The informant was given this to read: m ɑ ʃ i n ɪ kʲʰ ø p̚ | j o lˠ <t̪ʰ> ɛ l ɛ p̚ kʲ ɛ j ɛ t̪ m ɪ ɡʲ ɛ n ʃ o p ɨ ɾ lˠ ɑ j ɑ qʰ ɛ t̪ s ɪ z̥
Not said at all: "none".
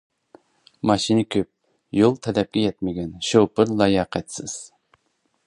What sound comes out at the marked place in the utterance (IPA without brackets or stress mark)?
t̪ʰ